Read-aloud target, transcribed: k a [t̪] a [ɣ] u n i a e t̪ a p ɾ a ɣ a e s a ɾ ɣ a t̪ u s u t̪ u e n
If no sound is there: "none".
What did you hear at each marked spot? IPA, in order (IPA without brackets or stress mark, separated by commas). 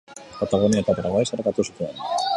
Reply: t̪, ɣ